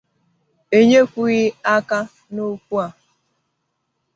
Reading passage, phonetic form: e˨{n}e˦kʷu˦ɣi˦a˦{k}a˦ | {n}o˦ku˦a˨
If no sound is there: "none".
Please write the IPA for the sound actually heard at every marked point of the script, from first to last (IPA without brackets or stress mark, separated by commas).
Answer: ɲ, k, n